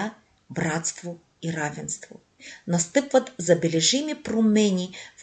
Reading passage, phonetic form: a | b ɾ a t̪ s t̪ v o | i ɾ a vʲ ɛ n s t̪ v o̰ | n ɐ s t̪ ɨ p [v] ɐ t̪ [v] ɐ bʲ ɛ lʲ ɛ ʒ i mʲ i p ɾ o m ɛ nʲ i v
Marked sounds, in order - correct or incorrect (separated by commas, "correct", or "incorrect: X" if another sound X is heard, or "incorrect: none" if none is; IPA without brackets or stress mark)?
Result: correct, incorrect: z